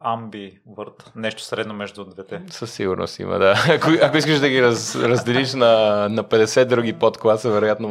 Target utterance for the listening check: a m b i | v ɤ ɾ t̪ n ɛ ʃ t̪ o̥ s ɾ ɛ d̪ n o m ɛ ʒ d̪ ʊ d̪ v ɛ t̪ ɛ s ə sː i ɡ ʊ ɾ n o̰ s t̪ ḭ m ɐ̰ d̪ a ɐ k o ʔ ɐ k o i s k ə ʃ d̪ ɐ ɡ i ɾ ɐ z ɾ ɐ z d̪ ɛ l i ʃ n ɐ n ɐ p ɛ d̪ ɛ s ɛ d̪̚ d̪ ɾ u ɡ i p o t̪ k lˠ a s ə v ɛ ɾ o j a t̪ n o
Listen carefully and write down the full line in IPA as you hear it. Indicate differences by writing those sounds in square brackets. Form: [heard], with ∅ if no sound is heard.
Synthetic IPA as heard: a m b i | v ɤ ɾ t̪ n ɛ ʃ t̪ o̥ s ɾ ɛ d̪ n o m ɛ ʒ d̪ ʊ d̪ v ɛ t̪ ɛ s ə sː i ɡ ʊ ɾ n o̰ s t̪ ḭ m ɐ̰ d̪ a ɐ k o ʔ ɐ k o i s k ə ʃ d̪ ɐ ɡ i ɾ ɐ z ɾ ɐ z d̪ ɛ l i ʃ n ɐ n ɐ p ɛ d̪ ɛ s ɛ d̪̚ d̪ ɾ u ɡ i p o t̪ k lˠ a s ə v ɛ ɾ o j a t̪ n o